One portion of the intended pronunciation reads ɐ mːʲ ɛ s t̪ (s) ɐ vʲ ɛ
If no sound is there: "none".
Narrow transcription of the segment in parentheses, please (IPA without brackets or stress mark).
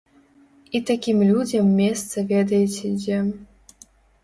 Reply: s